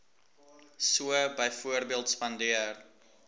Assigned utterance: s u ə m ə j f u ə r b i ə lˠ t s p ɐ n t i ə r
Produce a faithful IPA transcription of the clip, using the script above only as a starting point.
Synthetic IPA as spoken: s u ə b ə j f u ə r b i ə lˠ t s p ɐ n d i ə r